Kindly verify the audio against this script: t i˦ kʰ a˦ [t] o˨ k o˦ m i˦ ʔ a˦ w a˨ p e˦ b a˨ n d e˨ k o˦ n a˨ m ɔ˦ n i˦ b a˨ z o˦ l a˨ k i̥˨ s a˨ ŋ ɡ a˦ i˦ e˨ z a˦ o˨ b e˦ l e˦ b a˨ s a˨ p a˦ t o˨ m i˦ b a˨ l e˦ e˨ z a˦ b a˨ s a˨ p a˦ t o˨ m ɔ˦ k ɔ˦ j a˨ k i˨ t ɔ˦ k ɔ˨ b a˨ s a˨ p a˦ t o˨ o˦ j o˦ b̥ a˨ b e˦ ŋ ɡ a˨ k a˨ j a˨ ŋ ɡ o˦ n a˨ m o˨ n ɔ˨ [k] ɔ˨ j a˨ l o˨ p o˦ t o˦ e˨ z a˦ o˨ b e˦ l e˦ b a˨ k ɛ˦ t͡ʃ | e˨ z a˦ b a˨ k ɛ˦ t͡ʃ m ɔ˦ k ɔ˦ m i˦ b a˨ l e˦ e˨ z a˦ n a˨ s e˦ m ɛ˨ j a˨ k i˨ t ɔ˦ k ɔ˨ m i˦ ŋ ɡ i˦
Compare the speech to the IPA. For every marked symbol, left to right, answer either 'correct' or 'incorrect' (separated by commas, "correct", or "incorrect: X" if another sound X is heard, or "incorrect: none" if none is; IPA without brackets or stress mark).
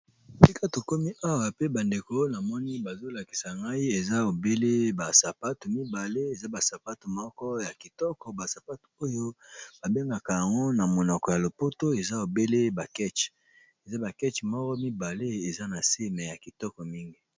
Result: correct, correct